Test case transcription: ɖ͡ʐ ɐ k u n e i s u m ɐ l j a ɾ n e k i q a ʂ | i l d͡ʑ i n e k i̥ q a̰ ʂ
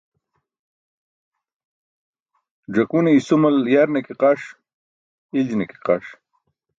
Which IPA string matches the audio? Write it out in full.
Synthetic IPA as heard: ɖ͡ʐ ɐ k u n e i s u m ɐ l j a ɾ n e k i q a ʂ | i l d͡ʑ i n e k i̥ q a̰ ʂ